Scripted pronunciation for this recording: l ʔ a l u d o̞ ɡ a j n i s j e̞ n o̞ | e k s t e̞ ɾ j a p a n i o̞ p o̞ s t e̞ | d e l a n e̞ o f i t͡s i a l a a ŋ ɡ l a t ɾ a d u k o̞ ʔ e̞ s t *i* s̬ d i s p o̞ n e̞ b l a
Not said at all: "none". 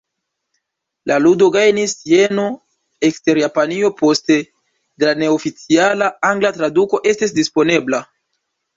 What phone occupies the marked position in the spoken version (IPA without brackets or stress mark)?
i